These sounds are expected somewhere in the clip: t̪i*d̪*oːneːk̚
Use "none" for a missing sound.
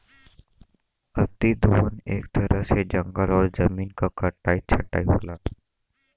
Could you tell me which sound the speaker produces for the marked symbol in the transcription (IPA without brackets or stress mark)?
d̪